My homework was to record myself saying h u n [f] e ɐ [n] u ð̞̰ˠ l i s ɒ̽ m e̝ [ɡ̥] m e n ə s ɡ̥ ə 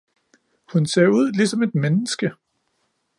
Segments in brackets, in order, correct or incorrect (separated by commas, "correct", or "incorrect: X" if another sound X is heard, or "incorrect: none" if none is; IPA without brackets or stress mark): incorrect: s, incorrect: none, incorrect: d̥